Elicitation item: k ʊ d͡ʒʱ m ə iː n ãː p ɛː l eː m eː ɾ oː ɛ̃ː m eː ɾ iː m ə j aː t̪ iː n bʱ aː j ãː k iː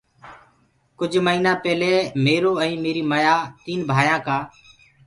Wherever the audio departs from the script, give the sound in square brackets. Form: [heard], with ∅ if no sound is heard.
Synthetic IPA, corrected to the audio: k ʊ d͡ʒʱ m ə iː n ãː p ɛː l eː m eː ɾ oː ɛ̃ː m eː ɾ iː m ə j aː t̪ iː n bʱ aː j ãː k [aː]